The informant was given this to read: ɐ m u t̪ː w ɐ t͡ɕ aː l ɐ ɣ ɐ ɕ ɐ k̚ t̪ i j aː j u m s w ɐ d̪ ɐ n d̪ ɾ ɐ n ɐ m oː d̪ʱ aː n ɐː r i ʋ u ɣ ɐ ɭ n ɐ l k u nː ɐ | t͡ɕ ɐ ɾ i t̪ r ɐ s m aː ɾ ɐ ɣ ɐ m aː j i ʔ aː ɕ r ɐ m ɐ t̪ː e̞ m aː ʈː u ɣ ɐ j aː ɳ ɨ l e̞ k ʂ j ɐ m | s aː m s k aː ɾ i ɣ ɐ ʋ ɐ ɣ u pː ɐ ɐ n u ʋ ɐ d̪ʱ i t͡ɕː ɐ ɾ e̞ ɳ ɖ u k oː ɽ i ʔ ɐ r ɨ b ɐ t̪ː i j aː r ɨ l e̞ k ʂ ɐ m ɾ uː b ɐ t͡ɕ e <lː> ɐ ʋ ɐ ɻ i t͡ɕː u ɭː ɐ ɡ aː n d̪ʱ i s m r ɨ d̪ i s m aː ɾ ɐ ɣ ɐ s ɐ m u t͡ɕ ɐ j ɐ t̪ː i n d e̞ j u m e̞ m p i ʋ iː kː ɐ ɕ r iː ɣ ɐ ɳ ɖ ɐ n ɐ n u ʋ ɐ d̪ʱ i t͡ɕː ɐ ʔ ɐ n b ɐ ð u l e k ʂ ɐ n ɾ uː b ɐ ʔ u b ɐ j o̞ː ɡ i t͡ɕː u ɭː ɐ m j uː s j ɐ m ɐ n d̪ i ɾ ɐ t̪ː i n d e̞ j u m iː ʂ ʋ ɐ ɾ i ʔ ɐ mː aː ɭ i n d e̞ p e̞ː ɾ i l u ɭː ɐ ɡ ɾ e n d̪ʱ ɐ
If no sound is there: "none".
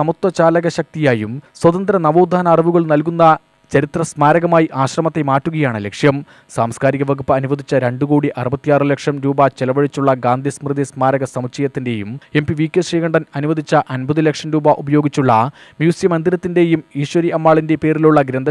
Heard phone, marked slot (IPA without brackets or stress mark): l